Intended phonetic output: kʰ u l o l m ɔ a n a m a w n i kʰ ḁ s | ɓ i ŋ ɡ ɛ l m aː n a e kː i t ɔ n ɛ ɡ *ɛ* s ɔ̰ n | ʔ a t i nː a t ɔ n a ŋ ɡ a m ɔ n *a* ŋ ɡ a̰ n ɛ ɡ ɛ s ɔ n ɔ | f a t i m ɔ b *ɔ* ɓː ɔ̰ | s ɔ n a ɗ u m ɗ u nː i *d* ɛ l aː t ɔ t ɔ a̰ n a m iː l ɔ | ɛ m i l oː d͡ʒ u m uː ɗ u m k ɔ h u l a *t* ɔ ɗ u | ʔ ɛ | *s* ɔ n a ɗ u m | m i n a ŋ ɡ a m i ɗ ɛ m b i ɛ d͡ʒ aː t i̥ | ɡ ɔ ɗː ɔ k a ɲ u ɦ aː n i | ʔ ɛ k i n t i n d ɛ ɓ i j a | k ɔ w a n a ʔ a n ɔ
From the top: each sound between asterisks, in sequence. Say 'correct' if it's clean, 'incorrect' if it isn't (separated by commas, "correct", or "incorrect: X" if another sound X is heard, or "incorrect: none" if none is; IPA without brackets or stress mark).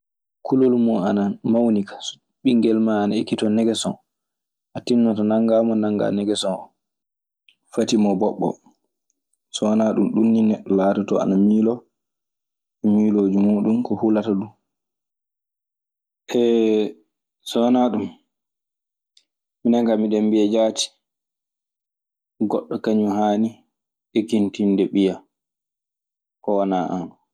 correct, correct, correct, incorrect: n, correct, correct